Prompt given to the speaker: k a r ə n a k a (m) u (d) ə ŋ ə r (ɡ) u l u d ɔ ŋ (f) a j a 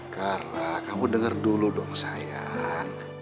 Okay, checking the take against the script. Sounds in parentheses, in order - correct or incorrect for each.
correct, correct, incorrect, incorrect

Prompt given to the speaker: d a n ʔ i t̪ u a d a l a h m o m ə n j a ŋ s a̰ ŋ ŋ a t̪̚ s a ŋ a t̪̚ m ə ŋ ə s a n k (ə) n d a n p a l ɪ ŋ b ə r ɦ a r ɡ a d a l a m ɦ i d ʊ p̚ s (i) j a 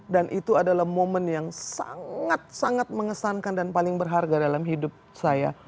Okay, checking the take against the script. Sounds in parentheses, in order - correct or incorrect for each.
incorrect, incorrect

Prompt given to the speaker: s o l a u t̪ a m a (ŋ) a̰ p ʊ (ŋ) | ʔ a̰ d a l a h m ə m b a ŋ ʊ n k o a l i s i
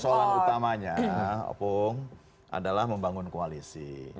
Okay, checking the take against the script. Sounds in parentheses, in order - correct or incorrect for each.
incorrect, correct

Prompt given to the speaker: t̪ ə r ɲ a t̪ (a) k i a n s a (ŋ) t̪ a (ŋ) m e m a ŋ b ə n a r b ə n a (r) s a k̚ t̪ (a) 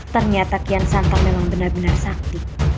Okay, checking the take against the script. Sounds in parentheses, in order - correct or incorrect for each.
correct, incorrect, correct, correct, incorrect

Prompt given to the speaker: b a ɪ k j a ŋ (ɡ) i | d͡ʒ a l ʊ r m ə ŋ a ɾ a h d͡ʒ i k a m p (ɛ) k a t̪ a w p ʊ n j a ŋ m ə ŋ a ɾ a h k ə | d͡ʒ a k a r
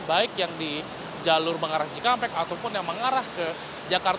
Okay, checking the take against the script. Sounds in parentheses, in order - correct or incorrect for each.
incorrect, correct

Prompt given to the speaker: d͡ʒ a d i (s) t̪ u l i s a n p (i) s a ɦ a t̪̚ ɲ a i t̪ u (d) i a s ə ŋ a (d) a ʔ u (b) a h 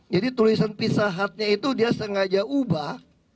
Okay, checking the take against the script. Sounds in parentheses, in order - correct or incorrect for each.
incorrect, correct, correct, incorrect, correct

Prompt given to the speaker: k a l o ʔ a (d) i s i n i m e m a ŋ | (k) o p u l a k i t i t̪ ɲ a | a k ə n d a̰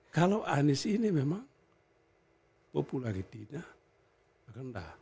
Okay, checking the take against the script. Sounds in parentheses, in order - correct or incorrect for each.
incorrect, incorrect

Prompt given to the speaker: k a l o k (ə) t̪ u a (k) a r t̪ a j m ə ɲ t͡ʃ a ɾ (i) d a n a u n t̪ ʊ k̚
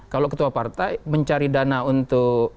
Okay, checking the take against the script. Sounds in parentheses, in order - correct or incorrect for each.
correct, incorrect, correct

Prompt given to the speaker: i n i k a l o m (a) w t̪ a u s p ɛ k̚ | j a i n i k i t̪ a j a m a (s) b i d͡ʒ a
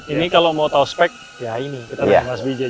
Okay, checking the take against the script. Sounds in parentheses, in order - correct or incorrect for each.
correct, correct

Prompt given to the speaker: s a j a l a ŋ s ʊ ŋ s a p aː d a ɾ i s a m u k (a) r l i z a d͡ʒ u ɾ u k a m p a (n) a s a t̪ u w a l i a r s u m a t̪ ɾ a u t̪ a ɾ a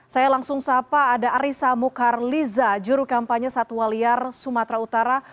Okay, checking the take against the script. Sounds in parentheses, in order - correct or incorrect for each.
correct, incorrect

